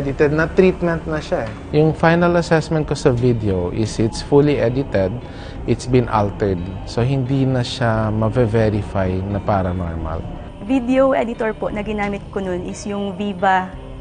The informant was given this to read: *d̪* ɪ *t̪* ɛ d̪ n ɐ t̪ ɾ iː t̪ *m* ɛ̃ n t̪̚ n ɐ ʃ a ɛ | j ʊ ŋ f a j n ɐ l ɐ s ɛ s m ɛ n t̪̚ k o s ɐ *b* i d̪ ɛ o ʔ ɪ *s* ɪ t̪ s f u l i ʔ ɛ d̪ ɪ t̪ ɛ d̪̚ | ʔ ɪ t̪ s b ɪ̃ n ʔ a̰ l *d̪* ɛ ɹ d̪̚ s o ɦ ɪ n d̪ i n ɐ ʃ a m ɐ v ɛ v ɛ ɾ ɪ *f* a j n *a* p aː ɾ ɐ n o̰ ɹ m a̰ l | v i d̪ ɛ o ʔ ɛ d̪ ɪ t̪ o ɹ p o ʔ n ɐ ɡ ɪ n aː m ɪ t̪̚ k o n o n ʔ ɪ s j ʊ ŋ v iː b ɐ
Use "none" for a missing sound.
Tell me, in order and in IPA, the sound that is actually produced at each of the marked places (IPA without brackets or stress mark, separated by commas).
d̪, t̪, m, v, s, t̪, f, ɐ